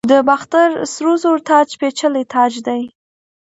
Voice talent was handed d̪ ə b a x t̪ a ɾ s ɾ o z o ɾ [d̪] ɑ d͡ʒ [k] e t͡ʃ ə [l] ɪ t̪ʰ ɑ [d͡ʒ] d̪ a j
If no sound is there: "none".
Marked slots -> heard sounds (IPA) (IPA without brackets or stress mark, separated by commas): t̪, p, l, d͡ʒ